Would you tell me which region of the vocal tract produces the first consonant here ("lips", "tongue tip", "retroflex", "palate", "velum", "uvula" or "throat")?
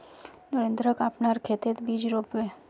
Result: tongue tip